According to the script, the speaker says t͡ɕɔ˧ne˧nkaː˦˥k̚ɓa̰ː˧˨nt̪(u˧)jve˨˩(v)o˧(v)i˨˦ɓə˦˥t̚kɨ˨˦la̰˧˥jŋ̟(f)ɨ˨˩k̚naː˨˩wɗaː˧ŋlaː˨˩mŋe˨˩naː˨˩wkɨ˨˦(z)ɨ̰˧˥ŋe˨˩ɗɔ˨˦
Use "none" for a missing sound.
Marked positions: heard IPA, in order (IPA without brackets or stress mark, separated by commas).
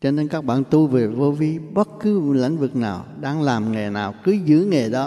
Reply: u˧, v, v, v, z